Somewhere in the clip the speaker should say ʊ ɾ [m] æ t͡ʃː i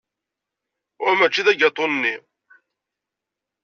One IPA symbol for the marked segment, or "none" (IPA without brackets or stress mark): m